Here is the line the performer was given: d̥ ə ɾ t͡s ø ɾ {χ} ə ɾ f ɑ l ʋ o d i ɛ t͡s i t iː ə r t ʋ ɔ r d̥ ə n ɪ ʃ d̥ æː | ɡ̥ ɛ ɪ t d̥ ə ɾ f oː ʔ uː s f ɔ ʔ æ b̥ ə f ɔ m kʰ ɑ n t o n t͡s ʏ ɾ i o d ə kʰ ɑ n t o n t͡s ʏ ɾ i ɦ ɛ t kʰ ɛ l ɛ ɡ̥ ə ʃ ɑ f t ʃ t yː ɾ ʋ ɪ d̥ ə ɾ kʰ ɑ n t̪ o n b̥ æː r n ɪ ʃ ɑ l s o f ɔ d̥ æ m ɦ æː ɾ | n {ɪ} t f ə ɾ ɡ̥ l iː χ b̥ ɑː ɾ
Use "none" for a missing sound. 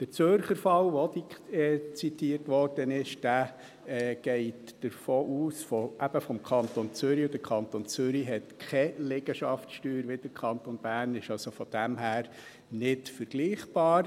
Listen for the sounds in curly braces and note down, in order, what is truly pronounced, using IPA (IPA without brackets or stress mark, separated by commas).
χ, ɪ